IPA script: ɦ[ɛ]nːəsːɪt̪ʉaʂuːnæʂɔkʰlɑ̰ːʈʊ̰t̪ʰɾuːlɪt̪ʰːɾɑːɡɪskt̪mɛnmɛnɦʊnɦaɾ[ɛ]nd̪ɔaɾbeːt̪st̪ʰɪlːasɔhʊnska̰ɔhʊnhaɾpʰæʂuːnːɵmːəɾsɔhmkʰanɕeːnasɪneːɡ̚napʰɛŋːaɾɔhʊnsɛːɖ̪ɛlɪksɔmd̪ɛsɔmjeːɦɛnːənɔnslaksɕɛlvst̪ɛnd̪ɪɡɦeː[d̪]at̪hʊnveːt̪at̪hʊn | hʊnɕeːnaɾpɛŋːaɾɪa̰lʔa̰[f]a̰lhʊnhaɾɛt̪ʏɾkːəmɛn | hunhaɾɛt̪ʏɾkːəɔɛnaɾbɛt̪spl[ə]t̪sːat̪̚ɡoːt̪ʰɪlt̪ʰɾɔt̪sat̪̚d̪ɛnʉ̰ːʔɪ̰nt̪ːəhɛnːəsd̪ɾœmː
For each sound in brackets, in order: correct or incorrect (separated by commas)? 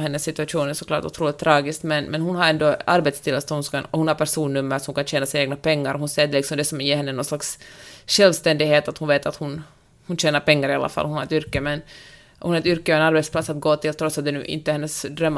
correct, correct, incorrect, correct, incorrect